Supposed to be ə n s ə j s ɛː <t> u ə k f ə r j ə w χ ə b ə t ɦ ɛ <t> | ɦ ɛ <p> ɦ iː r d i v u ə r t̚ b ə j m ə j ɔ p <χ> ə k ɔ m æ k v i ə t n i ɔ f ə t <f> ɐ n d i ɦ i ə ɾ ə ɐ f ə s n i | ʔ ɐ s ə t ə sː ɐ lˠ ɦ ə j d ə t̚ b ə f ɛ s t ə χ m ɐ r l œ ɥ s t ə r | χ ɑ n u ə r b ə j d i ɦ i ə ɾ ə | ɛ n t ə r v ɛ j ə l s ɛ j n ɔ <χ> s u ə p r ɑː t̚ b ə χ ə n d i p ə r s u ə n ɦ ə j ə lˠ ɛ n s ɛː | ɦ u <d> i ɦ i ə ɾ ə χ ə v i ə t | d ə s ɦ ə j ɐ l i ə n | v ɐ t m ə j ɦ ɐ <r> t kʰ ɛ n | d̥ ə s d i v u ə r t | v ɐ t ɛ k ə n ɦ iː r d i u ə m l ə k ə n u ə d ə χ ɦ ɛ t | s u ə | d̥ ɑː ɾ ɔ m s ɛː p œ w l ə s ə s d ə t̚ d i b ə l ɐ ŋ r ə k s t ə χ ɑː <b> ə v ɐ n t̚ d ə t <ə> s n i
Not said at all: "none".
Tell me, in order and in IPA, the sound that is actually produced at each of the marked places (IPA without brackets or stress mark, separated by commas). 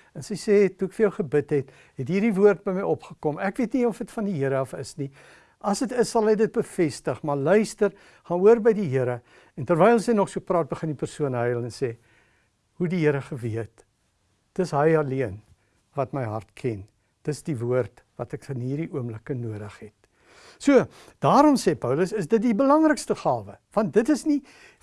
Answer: t, t, t, χ, f, χ, d, r, v, ə